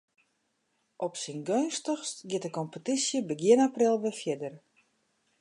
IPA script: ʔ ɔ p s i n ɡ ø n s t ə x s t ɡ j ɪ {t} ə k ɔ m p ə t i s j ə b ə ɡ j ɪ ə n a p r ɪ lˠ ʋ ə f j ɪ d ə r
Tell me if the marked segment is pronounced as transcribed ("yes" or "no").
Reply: yes